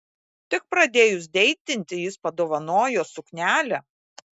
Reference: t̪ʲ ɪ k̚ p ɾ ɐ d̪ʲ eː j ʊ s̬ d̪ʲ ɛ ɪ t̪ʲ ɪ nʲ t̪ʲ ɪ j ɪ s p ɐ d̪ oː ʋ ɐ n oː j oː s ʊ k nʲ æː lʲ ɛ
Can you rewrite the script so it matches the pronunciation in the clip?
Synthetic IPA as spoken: t̪ʲ ɪ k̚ p ɾ ɐ d̪ʲ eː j ʊ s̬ d̪ʲ ɛ ɪ t̪ʲ ɪ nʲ t̪ʲ ɪ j ɪ s p ɐ d̪ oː ʋ ɐ n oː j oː s ʊ k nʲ æː lʲ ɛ